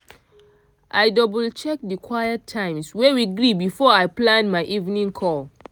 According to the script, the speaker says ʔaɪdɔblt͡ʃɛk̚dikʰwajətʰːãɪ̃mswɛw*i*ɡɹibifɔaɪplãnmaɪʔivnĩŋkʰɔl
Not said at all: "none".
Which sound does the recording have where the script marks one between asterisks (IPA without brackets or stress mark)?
i